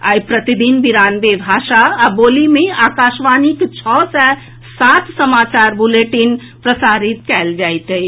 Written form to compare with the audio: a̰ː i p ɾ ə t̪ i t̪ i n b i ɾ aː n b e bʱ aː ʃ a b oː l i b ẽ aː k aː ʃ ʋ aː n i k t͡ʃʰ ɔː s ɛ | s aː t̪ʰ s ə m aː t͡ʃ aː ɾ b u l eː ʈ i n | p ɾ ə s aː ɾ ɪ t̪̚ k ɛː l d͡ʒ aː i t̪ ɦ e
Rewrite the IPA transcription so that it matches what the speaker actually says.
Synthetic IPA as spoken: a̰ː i p ɾ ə t̪ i d̪ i n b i ɾ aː n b e bʱ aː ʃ a b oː l i m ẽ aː k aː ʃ ʋ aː n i k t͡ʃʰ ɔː s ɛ | s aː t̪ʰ s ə m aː t͡ʃ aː ɾ b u l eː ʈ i n | p ɾ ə s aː ɾ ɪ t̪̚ k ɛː l d͡ʒ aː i t̪ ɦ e